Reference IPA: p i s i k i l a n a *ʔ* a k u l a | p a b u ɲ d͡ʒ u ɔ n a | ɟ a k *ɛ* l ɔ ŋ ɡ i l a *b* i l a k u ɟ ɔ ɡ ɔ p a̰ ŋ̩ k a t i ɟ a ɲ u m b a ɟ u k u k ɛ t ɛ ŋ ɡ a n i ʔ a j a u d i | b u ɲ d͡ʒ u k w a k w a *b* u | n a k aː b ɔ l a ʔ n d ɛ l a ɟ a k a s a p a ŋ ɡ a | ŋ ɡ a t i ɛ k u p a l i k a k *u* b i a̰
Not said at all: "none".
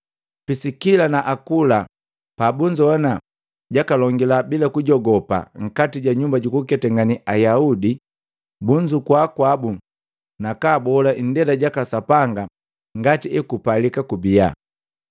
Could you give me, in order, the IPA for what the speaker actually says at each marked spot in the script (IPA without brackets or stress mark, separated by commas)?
ʔ, a, b, b, u